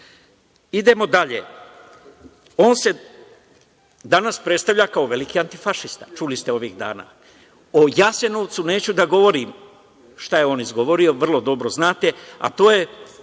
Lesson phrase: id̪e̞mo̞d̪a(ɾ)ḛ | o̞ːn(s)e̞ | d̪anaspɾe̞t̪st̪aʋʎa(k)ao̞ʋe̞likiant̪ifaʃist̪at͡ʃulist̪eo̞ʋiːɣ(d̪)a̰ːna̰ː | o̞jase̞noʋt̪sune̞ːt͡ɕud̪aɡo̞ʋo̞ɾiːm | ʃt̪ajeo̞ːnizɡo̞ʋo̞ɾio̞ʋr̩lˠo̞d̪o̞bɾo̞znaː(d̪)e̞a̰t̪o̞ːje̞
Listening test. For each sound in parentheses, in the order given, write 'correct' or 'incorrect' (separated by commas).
incorrect, correct, correct, correct, incorrect